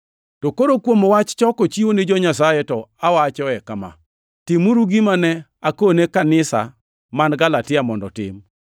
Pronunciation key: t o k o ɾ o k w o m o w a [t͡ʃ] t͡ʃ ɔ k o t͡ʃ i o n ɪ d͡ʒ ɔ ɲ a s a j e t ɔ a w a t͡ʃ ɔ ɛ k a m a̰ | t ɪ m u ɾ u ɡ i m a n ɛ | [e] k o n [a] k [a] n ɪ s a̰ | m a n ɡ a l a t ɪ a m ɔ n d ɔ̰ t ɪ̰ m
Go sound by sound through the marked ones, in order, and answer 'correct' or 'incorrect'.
correct, incorrect, incorrect, correct

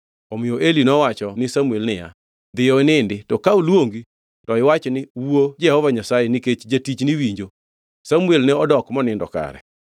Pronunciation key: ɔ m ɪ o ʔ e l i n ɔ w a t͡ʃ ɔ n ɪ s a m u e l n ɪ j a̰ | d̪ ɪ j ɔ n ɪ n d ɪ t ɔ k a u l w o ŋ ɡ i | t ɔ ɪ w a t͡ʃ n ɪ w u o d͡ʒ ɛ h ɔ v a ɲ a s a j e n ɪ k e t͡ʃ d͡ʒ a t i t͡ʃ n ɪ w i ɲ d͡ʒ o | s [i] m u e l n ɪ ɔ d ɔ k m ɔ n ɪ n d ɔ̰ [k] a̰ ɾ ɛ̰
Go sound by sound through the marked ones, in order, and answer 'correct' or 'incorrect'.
incorrect, correct

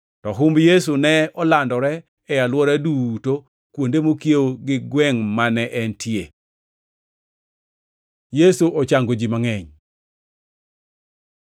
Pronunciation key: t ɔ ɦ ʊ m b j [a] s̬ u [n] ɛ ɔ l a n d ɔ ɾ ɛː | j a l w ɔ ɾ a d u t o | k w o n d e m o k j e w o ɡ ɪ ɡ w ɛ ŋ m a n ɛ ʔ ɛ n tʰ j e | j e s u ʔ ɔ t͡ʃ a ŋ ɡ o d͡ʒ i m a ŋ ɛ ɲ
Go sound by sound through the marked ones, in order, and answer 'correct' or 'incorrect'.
incorrect, correct

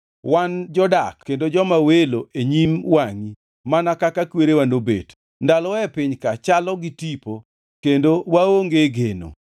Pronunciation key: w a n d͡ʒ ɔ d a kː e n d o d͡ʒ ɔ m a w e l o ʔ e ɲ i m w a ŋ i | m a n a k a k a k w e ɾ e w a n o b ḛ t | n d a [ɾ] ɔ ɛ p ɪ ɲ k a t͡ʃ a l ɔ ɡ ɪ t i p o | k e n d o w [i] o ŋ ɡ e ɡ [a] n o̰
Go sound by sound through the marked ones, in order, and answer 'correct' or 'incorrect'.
incorrect, incorrect, incorrect

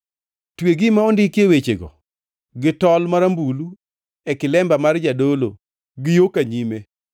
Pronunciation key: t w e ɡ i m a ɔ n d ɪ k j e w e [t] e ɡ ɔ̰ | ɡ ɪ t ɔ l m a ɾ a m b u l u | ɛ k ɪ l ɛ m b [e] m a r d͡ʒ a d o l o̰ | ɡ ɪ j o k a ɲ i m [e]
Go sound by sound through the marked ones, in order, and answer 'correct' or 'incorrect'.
incorrect, incorrect, correct

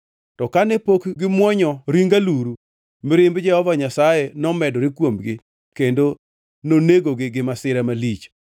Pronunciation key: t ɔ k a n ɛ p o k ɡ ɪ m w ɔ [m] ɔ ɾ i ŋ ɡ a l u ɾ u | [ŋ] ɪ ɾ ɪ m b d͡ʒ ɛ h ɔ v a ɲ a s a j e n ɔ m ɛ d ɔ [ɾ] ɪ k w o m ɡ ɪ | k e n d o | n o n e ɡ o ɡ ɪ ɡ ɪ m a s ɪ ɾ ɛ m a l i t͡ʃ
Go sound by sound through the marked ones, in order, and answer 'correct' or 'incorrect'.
incorrect, incorrect, correct

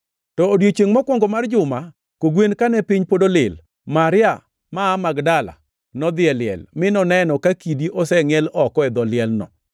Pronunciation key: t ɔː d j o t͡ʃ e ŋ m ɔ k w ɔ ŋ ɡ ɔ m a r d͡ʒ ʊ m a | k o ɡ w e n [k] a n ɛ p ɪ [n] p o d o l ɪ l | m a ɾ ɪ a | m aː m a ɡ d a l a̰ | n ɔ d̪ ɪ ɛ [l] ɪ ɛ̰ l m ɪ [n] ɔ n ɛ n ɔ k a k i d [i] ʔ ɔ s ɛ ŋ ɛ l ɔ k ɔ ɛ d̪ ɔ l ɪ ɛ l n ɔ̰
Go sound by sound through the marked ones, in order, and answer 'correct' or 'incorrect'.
correct, incorrect, correct, correct, correct

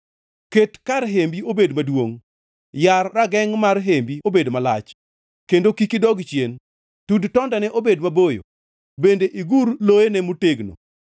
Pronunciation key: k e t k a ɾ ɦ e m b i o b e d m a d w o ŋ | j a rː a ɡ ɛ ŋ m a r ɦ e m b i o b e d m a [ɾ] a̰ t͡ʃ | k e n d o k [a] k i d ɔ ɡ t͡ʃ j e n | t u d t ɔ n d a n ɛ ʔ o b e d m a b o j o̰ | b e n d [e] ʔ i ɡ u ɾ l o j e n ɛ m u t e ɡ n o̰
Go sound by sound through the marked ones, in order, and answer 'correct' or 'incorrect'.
incorrect, incorrect, correct

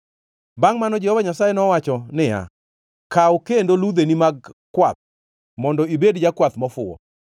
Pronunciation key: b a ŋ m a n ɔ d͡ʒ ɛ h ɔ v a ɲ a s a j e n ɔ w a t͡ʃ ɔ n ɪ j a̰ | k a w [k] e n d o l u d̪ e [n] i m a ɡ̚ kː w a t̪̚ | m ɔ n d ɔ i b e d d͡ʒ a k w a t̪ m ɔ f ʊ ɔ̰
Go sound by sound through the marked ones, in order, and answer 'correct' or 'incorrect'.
correct, correct

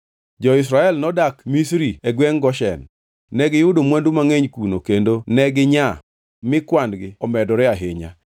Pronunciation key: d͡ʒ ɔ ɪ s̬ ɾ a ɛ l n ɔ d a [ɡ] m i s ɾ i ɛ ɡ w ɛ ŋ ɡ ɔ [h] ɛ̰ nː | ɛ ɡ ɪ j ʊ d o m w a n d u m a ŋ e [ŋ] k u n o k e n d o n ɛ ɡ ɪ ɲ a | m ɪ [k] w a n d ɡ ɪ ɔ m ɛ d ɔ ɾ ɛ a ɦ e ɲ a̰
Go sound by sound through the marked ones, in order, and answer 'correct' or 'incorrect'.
incorrect, incorrect, incorrect, correct

